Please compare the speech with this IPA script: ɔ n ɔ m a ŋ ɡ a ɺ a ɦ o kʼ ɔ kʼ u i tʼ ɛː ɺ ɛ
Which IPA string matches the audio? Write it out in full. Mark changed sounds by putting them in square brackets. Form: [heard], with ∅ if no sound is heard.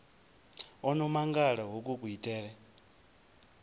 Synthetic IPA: ɔ n ɔ m a ŋ ɡ a ɺ a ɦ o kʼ [u] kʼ u i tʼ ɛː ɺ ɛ